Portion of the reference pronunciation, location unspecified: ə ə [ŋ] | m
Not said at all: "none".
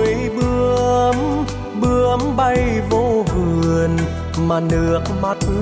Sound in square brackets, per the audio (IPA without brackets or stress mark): n